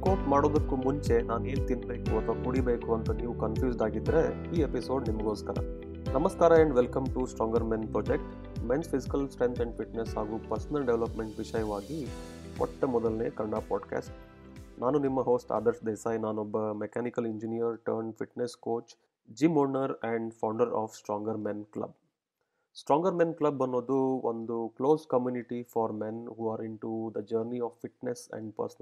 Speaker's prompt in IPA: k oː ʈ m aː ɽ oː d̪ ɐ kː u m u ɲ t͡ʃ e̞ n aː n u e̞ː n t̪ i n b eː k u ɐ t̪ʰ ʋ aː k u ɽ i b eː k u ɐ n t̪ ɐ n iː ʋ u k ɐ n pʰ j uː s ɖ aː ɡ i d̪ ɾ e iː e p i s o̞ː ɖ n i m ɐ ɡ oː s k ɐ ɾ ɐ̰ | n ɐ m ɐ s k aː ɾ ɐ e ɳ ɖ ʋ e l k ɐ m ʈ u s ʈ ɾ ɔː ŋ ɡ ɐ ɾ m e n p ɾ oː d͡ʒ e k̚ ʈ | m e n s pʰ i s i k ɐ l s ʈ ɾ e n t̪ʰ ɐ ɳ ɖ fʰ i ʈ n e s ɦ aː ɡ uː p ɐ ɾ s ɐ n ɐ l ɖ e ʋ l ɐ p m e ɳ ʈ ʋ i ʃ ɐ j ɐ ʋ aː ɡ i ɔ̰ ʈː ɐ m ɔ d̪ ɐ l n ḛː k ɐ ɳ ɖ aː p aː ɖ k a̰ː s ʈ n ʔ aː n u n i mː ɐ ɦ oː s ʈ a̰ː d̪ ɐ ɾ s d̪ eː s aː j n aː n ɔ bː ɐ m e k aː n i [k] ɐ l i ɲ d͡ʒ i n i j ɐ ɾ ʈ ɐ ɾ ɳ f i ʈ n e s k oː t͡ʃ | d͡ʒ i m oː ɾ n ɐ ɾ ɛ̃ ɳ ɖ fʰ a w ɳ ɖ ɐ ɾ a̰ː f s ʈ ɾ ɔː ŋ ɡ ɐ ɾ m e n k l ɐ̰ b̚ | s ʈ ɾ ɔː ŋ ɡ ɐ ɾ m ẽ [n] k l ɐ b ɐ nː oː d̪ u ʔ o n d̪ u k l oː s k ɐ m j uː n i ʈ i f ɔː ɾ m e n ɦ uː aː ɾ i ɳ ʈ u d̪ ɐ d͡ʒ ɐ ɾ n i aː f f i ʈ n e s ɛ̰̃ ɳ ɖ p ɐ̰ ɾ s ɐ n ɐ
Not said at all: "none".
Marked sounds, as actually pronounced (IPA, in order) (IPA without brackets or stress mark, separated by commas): k, n